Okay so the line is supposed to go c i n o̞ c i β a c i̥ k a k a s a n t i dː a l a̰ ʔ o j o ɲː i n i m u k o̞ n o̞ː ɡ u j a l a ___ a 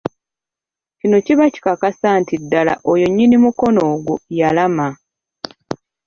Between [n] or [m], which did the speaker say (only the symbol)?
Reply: m